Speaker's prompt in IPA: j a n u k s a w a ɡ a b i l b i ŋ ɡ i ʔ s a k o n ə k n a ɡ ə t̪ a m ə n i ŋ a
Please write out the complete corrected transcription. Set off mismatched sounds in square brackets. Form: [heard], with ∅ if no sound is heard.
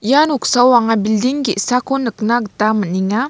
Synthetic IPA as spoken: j a n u k s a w a [ŋ] a b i l [d] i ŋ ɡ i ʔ s a k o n ə k n a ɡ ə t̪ a m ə n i ŋ a

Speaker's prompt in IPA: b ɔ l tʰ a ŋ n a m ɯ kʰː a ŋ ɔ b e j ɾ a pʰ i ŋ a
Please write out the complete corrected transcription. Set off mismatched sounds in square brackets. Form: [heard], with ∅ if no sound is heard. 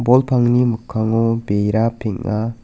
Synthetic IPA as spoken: b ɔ l [pʰ] a ŋ n [i] m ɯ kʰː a ŋ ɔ b e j ɾ a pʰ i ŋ a

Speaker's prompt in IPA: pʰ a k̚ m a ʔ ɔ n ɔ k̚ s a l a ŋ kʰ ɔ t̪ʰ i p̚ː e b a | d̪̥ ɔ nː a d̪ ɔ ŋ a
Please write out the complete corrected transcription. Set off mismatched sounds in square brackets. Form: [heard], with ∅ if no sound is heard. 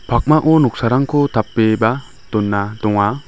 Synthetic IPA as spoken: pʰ a k̚ m a ʔ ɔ n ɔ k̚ s a [ɾ] a ŋ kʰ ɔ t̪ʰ [a] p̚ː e b a | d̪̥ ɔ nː a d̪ ɔ ŋ a

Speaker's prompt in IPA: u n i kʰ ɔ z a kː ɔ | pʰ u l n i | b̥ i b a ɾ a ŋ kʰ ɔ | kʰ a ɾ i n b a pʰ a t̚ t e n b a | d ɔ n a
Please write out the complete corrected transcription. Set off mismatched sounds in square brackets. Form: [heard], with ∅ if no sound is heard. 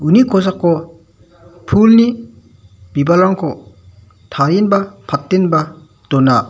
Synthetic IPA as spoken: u n i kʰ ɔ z a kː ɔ | pʰ u l n i | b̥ i b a [l] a ŋ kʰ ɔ | [tʰ] a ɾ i n b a pʰ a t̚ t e n b a | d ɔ n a

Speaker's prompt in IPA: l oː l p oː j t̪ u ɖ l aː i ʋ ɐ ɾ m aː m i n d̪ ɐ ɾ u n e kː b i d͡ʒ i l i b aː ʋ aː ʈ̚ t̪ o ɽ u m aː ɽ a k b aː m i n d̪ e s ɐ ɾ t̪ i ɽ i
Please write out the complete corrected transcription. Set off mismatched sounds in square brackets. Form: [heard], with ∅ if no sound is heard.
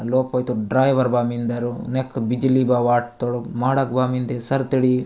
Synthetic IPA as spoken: l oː [∅] p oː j t̪ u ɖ [ɾ] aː [j] ʋ ɐ ɾ [b] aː m i n d̪ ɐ ɾ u n e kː b i d͡ʒ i l i b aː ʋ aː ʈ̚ t̪ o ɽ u m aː ɽ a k b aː m i n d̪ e s ɐ ɾ t̪ i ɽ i

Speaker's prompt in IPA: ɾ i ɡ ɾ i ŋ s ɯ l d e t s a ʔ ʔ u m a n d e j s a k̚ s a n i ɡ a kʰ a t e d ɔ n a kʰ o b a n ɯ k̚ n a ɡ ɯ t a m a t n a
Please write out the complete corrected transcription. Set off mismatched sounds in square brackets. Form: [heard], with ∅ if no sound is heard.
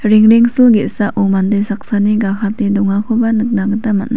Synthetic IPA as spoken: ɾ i [ŋ] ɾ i ŋ s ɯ l [ɡ] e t s a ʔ ʔ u m a n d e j s a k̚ s a n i ɡ a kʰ a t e d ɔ [ŋ] a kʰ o b a n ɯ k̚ n a ɡ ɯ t a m a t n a

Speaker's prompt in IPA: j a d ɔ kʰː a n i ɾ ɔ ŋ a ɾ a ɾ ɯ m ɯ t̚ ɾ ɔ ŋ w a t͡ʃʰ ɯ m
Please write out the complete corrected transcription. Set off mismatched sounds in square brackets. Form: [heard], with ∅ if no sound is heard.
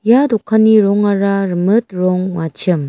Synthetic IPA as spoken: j a d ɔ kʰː a n i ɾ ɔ ŋ a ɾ a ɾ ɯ m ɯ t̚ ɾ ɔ ŋ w a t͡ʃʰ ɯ m

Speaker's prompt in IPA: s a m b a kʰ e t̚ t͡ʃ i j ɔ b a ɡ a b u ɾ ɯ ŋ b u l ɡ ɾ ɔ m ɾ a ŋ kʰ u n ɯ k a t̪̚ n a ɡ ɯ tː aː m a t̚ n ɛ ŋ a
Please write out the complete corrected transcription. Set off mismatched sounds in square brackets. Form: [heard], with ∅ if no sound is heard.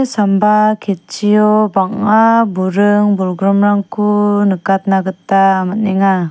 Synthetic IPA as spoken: s a m b a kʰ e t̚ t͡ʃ i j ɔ b a [ŋ] a b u ɾ ɯ ŋ b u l ɡ ɾ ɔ m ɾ a ŋ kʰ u n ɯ k a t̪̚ n a ɡ ɯ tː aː m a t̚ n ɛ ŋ a

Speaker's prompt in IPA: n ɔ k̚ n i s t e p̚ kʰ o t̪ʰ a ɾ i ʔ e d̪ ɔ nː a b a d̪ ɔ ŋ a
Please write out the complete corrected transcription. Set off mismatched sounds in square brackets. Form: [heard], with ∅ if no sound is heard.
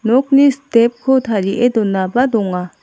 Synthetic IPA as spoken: n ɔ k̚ n i s t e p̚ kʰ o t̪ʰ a ɾ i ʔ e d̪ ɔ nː a b a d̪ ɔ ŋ a

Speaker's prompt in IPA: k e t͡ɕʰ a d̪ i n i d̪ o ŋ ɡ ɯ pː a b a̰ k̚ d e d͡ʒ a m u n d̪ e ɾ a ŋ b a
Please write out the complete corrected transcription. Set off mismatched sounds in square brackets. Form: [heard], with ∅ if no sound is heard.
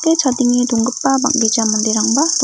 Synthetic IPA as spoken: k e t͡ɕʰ a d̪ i [ŋ] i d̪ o ŋ ɡ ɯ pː a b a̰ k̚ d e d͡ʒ a m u n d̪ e ɾ a ŋ b a

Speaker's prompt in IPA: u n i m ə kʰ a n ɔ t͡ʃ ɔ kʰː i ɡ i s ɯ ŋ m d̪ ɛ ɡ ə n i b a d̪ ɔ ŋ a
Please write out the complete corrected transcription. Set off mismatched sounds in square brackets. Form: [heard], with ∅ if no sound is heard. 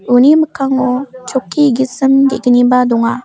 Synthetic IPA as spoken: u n i m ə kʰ a [ŋ] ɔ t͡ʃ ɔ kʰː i ɡ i s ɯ [∅] m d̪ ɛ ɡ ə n i b a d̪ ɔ ŋ a

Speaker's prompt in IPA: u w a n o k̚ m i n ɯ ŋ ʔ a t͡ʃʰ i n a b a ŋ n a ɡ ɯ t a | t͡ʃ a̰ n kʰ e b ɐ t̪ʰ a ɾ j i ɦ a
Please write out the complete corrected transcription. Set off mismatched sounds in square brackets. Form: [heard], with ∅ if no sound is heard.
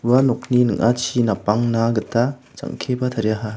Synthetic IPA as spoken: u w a n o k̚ [n] i n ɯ ŋ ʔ a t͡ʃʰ i n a [p] a ŋ n a ɡ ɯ t a | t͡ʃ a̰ [ŋ] kʰ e b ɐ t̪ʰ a ɾ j [a] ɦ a

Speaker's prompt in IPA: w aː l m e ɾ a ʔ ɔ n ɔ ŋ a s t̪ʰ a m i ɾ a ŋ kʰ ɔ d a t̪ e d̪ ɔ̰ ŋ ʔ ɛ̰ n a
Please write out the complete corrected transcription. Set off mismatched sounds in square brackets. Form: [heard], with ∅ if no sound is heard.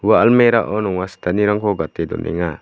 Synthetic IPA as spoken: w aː l m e ɾ a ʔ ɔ n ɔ ŋ a s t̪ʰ a [n] i ɾ a ŋ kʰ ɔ [ɡ] a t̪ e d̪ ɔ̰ [n] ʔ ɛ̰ [ŋ] a

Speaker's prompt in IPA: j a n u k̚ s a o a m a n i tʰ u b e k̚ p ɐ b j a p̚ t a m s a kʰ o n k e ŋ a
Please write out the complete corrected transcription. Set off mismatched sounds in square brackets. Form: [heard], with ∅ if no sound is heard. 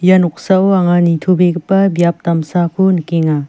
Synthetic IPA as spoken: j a n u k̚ s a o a [ŋ] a n i tʰ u b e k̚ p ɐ b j a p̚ t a m s a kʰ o n k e ŋ a

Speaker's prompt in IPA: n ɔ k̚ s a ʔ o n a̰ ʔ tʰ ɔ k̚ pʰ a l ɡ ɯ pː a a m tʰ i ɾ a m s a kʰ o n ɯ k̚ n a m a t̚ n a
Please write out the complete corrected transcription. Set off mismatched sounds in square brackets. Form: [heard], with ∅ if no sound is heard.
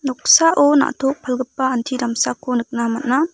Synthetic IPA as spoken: n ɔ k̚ s a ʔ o n a̰ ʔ tʰ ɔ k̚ pʰ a l ɡ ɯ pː a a [n] tʰ i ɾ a m s a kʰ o n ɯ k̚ n a m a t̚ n a

